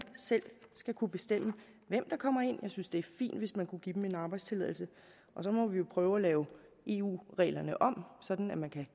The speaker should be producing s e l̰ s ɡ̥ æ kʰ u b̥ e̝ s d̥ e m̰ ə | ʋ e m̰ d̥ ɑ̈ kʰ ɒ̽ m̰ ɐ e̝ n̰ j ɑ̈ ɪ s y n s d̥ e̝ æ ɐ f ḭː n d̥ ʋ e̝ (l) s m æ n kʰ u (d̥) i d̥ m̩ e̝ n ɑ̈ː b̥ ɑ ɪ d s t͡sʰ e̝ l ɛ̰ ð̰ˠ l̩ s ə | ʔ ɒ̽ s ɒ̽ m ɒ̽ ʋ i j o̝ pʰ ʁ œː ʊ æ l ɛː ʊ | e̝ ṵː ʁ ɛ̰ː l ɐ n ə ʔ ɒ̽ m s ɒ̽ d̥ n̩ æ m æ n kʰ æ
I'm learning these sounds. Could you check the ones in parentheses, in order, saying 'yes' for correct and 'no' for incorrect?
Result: no, no

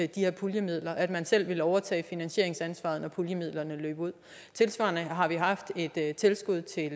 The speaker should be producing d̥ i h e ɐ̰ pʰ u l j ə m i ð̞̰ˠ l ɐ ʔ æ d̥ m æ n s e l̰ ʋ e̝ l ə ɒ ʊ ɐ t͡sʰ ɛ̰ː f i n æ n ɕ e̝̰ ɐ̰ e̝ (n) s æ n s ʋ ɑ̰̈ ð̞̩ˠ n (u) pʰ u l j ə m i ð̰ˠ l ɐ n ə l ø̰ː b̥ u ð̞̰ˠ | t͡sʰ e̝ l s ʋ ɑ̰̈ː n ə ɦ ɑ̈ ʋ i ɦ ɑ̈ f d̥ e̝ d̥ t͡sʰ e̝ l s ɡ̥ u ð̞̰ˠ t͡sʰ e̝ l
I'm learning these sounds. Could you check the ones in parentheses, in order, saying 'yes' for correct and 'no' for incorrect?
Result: no, no

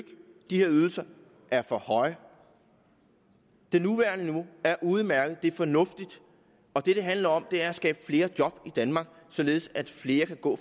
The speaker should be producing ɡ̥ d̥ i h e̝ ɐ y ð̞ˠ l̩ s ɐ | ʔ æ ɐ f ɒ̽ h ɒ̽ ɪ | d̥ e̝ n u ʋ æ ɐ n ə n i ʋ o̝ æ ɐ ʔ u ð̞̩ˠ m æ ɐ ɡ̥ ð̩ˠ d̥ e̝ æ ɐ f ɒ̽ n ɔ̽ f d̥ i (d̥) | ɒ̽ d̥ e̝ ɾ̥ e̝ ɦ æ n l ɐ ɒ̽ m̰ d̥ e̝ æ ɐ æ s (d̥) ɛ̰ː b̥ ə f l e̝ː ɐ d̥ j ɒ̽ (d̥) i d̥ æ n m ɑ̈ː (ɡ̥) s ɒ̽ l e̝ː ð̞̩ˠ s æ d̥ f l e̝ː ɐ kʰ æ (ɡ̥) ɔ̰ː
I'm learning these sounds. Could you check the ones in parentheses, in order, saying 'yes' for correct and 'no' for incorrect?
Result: yes, no, no, yes, yes

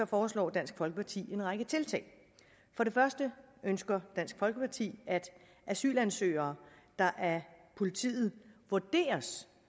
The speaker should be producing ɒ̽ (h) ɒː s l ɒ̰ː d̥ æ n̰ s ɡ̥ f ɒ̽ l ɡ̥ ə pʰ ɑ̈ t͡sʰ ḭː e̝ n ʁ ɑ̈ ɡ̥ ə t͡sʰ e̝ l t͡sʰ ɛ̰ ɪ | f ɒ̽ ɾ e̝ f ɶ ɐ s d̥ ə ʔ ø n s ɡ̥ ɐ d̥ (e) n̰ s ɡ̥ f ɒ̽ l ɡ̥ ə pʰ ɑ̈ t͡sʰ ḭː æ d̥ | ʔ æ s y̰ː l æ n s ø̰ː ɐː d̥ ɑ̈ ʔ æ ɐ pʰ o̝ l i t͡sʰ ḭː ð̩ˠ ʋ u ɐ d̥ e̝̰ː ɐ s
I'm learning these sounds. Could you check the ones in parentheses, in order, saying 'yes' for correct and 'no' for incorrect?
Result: no, no

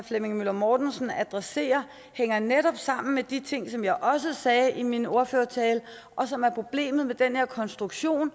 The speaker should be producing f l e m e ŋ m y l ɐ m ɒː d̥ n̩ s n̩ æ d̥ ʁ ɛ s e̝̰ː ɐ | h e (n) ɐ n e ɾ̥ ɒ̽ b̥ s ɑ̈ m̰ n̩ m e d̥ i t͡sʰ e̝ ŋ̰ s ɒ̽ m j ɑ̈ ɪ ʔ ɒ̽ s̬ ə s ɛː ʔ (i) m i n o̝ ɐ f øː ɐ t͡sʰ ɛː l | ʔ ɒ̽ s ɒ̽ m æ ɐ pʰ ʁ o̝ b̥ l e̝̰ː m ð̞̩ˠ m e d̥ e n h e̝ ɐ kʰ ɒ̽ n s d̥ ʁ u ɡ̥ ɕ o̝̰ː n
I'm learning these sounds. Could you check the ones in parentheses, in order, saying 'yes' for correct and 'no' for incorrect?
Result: no, yes

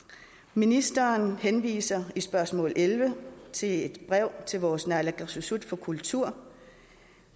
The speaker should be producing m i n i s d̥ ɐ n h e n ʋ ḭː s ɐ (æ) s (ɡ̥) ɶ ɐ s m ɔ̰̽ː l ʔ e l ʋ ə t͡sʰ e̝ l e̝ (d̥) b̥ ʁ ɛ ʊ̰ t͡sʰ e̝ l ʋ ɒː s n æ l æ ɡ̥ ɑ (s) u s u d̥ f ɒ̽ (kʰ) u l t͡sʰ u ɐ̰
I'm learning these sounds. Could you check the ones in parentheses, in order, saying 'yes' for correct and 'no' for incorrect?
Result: no, no, yes, yes, yes

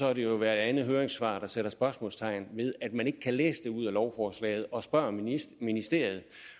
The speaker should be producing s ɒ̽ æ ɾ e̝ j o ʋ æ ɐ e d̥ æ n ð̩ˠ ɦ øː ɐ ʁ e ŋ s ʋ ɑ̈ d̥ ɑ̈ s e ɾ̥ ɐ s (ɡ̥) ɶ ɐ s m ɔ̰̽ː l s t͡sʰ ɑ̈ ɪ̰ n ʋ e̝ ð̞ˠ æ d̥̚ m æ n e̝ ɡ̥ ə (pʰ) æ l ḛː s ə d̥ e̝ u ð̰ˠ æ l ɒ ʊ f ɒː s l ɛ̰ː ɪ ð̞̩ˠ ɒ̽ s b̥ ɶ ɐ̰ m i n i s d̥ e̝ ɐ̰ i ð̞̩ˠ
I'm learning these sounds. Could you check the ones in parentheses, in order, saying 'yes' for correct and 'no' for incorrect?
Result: no, no

